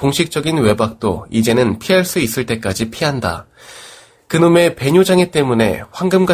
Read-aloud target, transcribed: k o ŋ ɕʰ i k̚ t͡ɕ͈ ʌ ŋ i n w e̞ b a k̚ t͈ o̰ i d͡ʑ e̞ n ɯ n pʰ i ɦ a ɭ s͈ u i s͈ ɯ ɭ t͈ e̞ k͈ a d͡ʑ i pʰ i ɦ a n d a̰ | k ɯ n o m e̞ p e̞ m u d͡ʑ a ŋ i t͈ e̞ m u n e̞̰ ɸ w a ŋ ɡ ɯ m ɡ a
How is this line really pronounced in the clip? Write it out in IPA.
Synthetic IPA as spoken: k o ŋ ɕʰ i k̚ t͡ɕ͈ ʌ ɡ i n w e̞ b a k̚ t͈ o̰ i d͡ʑ e̞ n ɯ n pʰ i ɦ a ɭ s͈ u i s͈ ɯ ɭ t͈ e̞ k͈ a d͡ʑ i pʰ i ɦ a n d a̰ | k ɯ n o m e̞ p e̞ ɲ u d͡ʑ a ŋ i t͈ e̞ m u n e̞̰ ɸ w a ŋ ɡ ɯ m ɡ a